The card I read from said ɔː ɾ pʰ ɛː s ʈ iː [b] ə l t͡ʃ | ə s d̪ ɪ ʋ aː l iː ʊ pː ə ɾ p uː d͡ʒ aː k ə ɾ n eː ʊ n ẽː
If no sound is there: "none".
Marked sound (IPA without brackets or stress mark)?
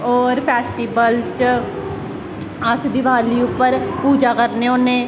b